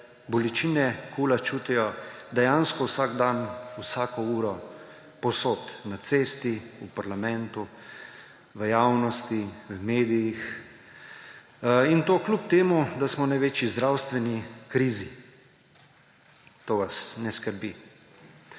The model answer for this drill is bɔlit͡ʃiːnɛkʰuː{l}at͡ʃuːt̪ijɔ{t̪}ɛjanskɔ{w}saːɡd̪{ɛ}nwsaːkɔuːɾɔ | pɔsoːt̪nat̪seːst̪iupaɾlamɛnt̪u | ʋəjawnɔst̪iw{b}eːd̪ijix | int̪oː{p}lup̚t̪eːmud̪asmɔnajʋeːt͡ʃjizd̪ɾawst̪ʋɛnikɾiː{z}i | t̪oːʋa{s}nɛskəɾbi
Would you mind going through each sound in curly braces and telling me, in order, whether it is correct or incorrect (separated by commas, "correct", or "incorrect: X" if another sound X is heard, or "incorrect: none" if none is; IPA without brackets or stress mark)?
correct, incorrect: d̪, correct, incorrect: a, incorrect: m, incorrect: k, correct, correct